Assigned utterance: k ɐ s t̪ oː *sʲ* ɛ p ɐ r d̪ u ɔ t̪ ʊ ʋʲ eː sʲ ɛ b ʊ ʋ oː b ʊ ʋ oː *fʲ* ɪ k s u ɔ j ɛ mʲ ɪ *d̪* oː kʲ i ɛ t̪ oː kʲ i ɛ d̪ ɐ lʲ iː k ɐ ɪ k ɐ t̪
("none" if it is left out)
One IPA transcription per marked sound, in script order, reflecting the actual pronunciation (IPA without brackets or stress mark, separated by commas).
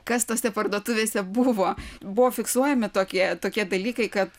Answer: sʲ, fʲ, t̪